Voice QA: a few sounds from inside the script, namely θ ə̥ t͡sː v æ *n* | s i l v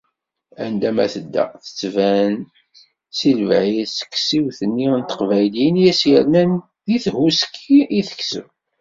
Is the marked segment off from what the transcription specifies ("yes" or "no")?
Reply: no